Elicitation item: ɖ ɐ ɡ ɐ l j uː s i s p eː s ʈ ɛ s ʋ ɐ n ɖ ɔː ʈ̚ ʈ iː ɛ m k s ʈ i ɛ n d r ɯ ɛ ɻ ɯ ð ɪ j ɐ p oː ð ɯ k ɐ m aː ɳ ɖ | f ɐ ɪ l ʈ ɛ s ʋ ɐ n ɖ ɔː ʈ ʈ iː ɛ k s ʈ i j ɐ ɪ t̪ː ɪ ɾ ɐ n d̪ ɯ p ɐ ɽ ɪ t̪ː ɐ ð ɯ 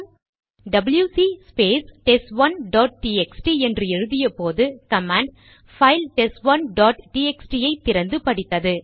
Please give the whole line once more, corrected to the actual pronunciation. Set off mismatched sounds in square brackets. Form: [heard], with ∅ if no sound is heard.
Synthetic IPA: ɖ ɐ [b] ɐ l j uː s i s p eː s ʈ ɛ s ʋ ɐ n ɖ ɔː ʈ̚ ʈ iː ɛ [∅] k s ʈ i ɛ n d r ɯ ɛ ɻ ɯ ð ɪ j ɐ p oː ð ɯ k ɐ m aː ɳ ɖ | f ɐ ɪ l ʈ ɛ s ʋ ɐ n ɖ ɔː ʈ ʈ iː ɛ k s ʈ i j ɐ ɪ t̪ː ɪ ɾ ɐ n d̪ ɯ p ɐ ɽ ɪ t̪ː ɐ ð ɯ

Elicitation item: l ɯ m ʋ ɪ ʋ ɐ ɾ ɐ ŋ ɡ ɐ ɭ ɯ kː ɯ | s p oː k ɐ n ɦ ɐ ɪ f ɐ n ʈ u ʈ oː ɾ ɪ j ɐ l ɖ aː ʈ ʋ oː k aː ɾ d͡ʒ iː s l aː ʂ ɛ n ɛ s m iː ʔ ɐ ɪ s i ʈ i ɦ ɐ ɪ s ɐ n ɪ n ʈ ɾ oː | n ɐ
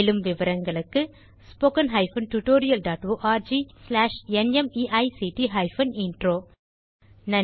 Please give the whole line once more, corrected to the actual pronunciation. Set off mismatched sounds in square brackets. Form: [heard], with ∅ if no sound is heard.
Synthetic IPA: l ɯ m ʋ ɪ ʋ ɐ ɾ ɐ ŋ ɡ ɐ ɭ ɯ kː ɯ | s p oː k ɐ n ɦ ɐ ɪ f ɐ n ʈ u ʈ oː ɾ ɪ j ɐ l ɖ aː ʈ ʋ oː [ʔ] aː ɾ d͡ʒ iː s l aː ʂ ɛ n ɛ [∅] m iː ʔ ɐ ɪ s i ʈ i ɦ ɐ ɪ [f] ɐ n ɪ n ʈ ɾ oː | n ɐ

